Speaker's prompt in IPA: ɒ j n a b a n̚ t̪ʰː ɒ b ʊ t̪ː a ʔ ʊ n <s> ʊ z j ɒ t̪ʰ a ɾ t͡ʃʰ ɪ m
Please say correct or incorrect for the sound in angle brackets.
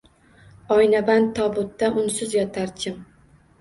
correct